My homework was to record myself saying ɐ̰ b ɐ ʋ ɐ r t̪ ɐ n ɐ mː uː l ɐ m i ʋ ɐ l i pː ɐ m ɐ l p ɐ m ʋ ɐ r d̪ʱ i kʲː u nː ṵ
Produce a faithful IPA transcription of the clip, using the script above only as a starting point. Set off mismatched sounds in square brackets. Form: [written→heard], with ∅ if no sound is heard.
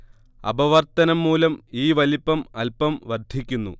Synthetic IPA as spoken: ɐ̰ b ɐ ʋ ɐ r t̪ ɐ n ɐ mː uː l ɐ m [i→iː] ʋ ɐ l i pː ɐ m ɐ l p ɐ m ʋ ɐ r d̪ʱ i kʲː u nː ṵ